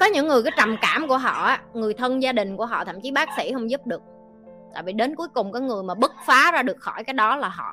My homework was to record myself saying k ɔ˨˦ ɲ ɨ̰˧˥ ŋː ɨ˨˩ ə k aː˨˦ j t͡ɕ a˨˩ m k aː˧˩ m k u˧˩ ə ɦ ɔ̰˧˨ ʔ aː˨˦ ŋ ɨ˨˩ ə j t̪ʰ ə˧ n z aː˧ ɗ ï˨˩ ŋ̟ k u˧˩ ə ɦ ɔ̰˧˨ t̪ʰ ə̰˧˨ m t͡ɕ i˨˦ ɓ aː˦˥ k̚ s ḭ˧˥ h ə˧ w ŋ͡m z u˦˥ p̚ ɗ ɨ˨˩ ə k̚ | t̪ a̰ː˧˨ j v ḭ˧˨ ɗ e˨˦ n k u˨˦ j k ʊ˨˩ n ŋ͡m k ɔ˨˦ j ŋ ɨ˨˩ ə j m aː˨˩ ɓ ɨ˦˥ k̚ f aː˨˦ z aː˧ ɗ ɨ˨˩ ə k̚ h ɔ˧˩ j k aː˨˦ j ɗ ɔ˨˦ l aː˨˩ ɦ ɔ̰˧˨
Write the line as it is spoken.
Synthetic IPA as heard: k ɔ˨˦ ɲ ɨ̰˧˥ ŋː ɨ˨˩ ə k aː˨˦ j t͡ɕ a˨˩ m k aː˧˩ m k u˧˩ ə ɦ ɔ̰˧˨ ʔ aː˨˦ ŋ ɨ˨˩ ə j t̪ʰ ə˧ n z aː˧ ɗ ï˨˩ ŋ̟ k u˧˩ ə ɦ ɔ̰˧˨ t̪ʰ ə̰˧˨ m t͡ɕ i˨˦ ɓ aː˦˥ k̚ s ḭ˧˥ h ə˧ w ŋ͡m z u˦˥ p̚ ɗ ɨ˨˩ ə k̚ | t̪ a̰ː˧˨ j v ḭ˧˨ ɗ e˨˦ n k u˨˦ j k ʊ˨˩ ŋ͡m k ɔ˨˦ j ŋ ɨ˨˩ ə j m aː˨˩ ɓ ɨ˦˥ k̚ f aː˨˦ z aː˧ ɗ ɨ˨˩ ə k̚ x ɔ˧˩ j k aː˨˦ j ɗ ɔ˨˦ l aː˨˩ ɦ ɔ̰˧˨